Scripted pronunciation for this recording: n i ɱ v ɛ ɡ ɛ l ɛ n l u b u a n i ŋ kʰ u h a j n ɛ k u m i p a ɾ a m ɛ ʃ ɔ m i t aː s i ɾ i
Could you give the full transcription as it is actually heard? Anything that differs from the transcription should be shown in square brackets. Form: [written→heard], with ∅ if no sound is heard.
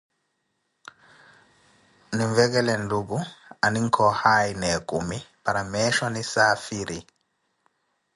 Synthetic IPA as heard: n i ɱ v ɛ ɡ ɛ l ɛ n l u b u a n i ŋ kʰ [u→ɔ] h a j n ɛ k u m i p a ɾ a m ɛ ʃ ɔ [m→n] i [t→s] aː [s→f] i ɾ i